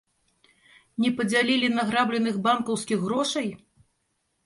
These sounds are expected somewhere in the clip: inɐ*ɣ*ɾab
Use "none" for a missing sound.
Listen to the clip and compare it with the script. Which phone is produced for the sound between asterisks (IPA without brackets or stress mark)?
ɣ